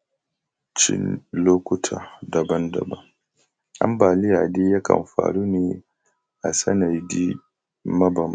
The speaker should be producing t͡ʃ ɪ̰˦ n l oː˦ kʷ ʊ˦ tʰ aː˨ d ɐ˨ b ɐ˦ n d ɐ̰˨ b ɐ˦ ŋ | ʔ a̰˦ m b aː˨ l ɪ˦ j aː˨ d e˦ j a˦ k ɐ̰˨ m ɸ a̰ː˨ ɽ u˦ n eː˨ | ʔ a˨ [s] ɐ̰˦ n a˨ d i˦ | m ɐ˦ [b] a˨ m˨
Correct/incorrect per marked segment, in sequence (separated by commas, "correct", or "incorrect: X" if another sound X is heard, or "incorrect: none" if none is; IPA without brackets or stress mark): correct, correct